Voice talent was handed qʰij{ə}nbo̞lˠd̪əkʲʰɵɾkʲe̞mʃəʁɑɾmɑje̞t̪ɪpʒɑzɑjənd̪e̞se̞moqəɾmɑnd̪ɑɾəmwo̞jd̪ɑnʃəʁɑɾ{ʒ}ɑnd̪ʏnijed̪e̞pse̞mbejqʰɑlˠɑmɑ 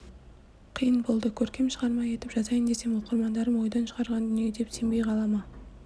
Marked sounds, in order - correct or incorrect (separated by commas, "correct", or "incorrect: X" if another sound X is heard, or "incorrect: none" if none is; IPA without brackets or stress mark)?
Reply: correct, incorrect: ʁ